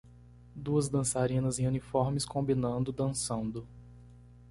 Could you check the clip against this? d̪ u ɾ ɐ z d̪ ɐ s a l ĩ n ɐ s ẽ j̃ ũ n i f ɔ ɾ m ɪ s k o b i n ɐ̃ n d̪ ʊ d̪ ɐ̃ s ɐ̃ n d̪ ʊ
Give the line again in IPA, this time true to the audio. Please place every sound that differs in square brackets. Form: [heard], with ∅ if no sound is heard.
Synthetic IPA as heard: d̪ u [∅] ɐ z d̪ [ɐ̃] s a [ɾ] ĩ n ɐ [z] ẽ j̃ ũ n i f ɔ ɾ m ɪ s k [õ] b i n ɐ̃ n d̪ ʊ d̪ ɐ̃ s ɐ̃ n d̪ ʊ